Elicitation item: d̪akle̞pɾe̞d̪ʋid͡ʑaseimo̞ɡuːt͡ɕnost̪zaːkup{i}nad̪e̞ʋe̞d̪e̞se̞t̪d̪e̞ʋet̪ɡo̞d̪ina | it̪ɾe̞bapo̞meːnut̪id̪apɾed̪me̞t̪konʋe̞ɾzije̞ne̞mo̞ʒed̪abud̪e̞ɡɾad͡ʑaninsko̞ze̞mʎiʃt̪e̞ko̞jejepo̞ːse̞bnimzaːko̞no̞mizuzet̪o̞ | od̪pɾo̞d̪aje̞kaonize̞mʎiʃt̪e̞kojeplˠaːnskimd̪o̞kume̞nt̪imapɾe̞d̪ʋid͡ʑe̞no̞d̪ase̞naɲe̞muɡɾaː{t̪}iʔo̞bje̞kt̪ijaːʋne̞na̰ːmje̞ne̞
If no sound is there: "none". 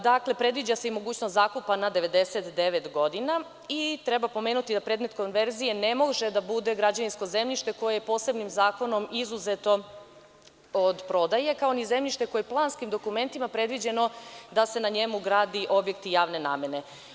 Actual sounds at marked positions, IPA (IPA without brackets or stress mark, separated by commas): a, d̪